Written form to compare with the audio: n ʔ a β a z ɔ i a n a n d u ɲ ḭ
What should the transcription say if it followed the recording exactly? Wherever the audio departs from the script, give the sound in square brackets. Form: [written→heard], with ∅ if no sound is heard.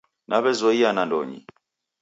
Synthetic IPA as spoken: n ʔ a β [a→ɛ] z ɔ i a n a n d [u→ɔ] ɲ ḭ